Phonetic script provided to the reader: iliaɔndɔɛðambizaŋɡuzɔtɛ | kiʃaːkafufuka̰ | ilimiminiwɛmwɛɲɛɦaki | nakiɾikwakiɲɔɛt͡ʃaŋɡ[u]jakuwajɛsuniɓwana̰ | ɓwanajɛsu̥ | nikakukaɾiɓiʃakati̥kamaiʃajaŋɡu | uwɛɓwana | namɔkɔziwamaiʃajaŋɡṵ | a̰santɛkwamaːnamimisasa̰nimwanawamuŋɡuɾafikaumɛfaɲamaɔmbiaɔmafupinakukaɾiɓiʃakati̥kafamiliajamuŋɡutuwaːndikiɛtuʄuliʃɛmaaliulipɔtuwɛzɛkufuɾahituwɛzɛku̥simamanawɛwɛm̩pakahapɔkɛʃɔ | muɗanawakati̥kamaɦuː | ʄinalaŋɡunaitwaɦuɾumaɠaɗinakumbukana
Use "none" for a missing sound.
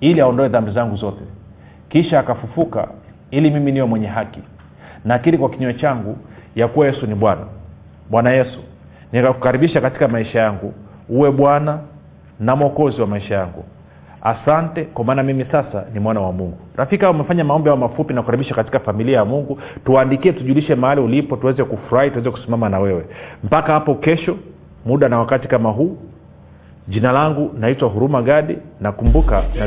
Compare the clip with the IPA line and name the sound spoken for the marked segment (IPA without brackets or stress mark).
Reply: u